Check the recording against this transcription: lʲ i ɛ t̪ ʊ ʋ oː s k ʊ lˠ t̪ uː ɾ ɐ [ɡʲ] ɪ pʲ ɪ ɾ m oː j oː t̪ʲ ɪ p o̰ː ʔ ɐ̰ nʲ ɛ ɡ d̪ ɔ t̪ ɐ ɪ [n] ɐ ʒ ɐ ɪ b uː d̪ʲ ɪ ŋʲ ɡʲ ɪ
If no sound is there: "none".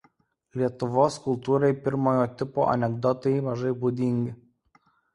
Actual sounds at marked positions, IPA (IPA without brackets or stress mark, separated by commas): none, m